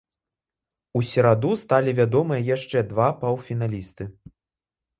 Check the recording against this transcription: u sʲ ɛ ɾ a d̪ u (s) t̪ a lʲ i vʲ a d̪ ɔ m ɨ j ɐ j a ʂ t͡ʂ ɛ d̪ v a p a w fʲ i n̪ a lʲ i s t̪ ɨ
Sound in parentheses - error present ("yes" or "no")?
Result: no